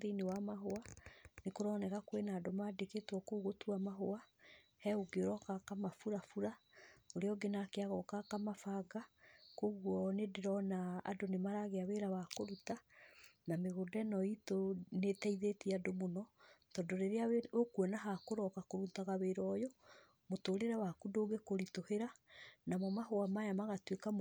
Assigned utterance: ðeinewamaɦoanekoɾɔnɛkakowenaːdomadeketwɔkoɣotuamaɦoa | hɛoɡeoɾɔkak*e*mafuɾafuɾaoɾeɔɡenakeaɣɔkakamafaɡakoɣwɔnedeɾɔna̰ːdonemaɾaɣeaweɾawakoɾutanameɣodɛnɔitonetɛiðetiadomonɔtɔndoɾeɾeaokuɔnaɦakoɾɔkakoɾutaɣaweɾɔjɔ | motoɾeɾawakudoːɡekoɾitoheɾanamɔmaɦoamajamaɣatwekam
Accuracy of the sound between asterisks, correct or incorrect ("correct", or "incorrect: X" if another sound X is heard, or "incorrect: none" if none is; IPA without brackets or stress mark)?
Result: incorrect: a